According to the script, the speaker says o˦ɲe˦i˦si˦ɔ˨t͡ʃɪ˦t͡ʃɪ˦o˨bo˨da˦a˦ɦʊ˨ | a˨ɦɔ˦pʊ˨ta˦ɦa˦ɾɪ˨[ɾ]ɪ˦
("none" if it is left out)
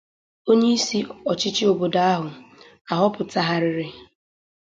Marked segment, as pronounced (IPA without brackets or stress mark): ɾ